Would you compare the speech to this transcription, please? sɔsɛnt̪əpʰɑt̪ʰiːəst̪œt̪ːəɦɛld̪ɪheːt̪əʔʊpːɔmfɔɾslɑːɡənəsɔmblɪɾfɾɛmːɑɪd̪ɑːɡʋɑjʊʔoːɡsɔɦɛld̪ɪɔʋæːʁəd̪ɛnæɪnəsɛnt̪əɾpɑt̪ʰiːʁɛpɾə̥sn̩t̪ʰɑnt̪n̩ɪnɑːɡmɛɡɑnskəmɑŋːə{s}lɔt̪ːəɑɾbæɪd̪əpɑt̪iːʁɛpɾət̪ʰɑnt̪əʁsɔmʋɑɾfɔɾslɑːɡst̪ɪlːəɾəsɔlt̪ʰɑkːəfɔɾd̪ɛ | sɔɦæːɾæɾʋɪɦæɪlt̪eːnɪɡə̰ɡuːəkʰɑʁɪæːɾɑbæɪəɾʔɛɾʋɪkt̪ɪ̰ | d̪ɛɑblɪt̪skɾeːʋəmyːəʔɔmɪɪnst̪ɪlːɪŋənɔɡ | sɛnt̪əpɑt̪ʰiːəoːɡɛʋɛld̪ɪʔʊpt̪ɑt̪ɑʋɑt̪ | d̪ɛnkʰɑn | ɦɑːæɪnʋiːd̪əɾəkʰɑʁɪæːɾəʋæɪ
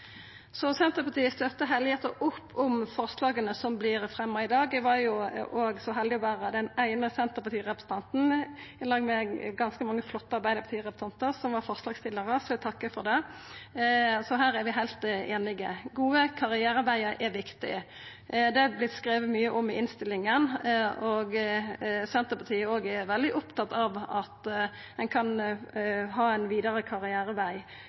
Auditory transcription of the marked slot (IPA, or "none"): f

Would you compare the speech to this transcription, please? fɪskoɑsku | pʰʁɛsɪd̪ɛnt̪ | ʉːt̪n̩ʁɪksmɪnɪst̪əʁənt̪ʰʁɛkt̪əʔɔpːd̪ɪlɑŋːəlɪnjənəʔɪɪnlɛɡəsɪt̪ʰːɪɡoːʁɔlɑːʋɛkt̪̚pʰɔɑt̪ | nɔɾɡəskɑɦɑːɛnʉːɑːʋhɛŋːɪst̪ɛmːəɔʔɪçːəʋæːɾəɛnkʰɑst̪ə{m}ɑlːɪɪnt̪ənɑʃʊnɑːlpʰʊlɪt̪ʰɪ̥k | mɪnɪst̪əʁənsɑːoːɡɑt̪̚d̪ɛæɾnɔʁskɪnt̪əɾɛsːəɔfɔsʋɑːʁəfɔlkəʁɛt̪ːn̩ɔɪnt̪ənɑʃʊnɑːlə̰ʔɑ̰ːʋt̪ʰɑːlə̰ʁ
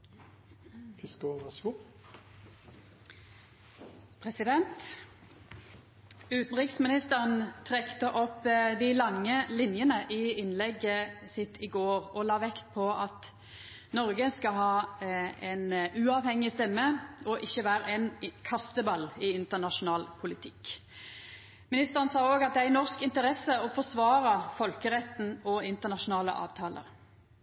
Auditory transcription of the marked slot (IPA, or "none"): b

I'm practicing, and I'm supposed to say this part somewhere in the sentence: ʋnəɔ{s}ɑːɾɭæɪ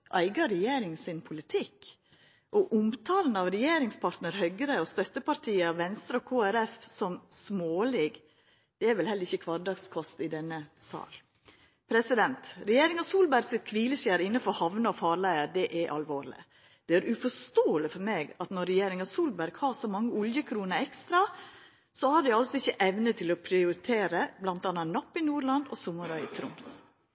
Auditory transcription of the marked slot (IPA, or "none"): f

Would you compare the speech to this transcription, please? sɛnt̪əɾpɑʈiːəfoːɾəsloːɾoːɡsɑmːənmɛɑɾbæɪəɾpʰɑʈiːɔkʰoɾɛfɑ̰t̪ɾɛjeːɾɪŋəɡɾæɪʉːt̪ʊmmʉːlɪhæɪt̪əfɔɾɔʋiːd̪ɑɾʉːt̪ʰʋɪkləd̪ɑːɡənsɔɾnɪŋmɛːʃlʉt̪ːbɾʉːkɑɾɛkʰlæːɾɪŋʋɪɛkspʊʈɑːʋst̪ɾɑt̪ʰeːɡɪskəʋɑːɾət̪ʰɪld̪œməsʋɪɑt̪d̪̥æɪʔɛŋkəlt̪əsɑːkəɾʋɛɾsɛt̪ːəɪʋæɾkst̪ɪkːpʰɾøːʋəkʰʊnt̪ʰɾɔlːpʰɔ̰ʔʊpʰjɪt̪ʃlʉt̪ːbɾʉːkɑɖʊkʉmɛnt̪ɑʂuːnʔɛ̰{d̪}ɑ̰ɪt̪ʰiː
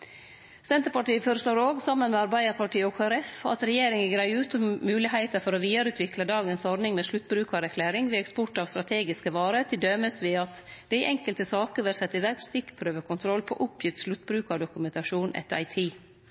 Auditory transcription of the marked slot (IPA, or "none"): t̪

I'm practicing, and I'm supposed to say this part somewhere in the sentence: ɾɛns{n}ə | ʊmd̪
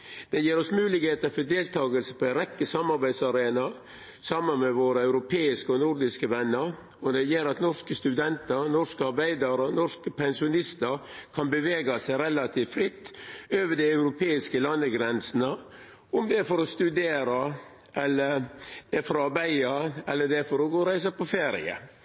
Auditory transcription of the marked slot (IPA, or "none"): n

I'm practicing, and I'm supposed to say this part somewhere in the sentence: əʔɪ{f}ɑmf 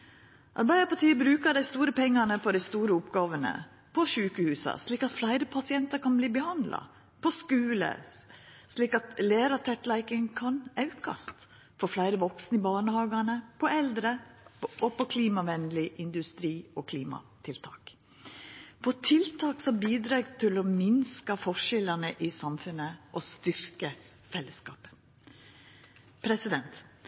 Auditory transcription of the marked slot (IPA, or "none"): s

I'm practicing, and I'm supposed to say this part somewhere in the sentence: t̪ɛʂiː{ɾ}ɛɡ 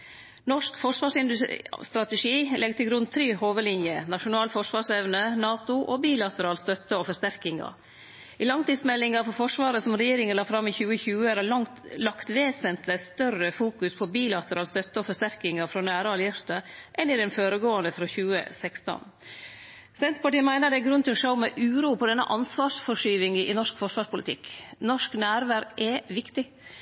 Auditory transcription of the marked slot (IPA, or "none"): l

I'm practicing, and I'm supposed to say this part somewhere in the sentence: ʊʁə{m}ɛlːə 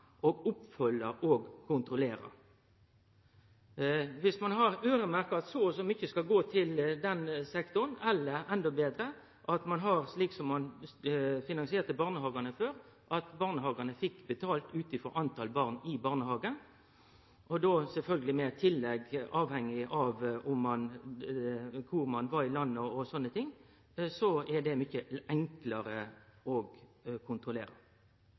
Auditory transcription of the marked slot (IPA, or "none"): n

